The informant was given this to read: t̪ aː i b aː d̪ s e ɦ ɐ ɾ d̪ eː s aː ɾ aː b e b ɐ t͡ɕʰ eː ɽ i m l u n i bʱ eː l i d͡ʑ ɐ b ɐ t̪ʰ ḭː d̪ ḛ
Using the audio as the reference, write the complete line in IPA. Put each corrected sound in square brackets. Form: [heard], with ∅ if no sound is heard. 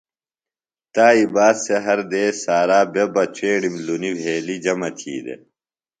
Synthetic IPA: t̪ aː i b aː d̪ s e ɦ ɐ ɾ d̪ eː s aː ɾ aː b e b ɐ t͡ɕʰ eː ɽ i m l u n i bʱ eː l i d͡ʑ ɐ [m] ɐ t̪ʰ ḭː d̪ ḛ

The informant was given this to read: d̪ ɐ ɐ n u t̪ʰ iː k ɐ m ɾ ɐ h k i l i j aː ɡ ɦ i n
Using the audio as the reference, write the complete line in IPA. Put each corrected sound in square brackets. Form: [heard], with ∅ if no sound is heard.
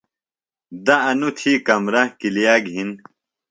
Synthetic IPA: d̪ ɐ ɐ n u t̪ʰ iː k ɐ m ɾ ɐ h k i l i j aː ɡ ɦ i n

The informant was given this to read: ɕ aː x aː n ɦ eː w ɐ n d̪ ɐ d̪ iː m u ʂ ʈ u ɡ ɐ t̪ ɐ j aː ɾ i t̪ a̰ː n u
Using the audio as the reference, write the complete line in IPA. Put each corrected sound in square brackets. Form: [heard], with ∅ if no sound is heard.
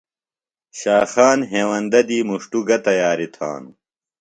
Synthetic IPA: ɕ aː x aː n ɦ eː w ɐ n d̪ ɐ d̪ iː m u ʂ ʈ u ɡ ɐ t̪ ɐ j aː ɾ i [t̪ʰ] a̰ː n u

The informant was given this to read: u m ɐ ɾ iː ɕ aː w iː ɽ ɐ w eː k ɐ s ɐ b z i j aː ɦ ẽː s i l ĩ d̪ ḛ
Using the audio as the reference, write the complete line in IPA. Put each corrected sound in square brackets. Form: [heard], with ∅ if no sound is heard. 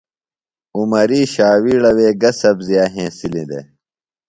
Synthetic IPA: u m ɐ ɾ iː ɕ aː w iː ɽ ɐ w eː [ɡ] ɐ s ɐ b z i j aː ɦ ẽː s i l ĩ d̪ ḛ

